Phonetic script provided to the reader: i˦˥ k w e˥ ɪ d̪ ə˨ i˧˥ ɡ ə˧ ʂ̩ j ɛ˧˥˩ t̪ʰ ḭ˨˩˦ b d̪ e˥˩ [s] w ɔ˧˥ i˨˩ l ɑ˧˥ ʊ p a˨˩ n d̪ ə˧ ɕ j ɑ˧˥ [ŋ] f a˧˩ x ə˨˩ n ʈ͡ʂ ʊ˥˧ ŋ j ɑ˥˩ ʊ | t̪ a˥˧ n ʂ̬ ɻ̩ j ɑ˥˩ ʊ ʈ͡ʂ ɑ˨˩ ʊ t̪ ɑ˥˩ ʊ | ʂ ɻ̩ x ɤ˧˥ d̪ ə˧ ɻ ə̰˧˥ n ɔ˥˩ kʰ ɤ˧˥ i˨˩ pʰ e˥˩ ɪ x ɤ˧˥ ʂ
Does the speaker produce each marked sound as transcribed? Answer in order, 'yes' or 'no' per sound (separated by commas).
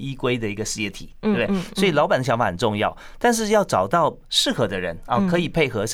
yes, yes